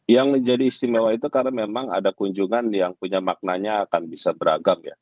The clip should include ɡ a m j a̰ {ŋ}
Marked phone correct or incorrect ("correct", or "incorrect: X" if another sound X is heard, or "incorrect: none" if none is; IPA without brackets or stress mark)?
incorrect: none